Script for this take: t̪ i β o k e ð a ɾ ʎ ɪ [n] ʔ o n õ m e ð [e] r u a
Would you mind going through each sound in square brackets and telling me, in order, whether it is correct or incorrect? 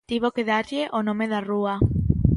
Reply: incorrect, incorrect

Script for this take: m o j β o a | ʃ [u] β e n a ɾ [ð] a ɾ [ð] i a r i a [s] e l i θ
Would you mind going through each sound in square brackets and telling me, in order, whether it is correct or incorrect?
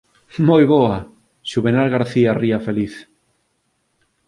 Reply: correct, incorrect, incorrect, incorrect

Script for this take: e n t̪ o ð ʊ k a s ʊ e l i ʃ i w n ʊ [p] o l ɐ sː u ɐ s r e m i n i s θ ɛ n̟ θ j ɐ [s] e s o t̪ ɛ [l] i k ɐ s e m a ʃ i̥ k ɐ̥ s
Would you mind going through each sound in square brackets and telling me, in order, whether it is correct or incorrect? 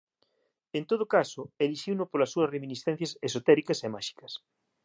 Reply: correct, correct, incorrect

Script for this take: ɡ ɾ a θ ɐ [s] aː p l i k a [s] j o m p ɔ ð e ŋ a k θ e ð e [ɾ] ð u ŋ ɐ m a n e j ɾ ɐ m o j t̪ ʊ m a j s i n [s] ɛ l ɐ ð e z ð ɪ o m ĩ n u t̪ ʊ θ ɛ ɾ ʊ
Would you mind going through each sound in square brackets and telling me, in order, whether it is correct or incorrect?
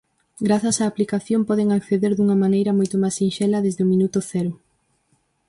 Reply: correct, incorrect, correct, incorrect

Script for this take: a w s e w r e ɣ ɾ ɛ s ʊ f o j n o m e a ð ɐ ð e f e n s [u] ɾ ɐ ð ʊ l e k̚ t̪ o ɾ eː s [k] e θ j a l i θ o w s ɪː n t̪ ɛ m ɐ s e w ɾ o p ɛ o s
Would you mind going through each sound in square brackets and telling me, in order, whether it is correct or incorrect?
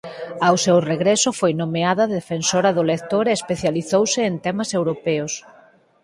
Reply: incorrect, incorrect

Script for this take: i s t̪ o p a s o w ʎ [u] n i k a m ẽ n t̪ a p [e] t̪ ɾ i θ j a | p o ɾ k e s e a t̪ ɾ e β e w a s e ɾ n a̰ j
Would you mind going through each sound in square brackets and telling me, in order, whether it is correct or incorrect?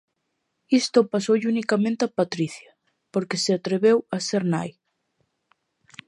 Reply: correct, incorrect

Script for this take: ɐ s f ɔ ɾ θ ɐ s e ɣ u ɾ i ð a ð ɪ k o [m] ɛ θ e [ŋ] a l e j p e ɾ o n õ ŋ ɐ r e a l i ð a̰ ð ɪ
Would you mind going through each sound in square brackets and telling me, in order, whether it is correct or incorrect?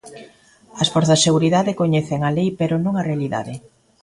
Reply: incorrect, correct

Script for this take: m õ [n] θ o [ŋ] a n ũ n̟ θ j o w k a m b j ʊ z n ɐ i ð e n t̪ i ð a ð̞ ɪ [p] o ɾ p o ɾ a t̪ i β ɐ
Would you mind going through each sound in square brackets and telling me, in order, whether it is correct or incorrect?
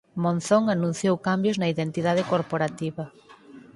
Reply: correct, correct, incorrect

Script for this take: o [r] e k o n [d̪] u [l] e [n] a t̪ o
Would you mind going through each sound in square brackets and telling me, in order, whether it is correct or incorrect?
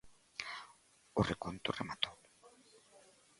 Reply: correct, incorrect, incorrect, incorrect

